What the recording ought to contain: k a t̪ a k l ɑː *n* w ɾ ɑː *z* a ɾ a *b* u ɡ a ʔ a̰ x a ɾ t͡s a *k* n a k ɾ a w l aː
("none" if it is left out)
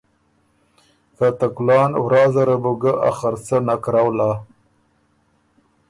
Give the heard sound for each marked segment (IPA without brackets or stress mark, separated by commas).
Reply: n, z, b, none